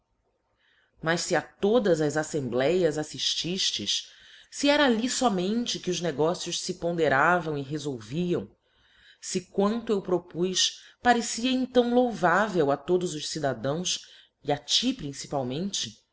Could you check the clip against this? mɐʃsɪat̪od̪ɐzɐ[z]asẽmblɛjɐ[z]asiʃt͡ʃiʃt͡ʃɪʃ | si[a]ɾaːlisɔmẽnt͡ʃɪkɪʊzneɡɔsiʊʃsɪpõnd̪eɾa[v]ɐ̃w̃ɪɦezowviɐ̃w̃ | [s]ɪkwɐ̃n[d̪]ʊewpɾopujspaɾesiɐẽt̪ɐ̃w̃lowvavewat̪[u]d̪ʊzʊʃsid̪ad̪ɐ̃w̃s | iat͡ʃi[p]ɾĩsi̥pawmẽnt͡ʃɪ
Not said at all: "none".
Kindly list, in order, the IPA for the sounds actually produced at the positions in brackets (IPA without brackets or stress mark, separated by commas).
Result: z, z, ɛ, v, s, t̪, o, p